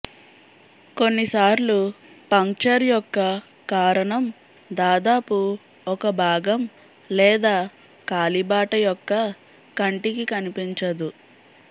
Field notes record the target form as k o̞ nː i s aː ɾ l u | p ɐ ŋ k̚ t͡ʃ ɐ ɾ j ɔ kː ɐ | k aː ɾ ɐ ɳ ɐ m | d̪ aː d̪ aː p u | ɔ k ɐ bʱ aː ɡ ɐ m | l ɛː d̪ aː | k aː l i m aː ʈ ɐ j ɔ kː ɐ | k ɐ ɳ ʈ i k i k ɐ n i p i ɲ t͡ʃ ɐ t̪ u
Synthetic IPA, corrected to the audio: k o̞ nː i s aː ɾ l u | p ɐ ŋ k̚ t͡ʃ ɐ ɾ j ɔ kː ɐ | k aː ɾ ɐ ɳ ɐ m | d̪ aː d̪ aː p u | ɔ k ɐ bʱ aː ɡ ɐ m | l ɛː d̪ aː | k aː l i b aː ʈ ɐ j ɔ kː ɐ | k ɐ ɳ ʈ i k i k ɐ n i p i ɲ t͡ʃ ɐ d̪ u